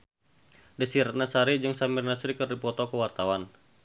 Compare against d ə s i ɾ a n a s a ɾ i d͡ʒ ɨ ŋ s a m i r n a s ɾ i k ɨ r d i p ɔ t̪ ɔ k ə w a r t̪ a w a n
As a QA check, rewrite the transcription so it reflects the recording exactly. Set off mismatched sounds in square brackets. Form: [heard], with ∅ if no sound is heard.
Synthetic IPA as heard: d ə s i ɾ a n a s a ɾ i d͡ʒ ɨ ŋ s a m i r n a s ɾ i k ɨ r d i p ɔ t̪ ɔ k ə w a r t̪ a w a n